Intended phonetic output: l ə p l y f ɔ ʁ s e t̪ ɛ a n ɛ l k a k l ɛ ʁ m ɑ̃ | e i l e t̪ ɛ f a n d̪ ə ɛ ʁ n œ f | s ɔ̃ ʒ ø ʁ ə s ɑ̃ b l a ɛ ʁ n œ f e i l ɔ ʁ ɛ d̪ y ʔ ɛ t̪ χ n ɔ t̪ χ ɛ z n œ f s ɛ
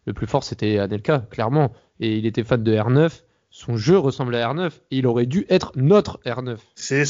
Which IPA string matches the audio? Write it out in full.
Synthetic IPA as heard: l ə p l y f ɔ ʁ s e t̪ ɛ a n ɛ l k a k l ɛ ʁ m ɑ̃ | e i l e t̪ ɛ f a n d̪ ə ɛ ʁ n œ f | s ɔ̃ ʒ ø ʁ ə s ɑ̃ b l a ɛ ʁ n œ f e i l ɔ ʁ ɛ d̪ y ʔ ɛ t̪ χ n ɔ t̪ χ ɛ ʁ n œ f s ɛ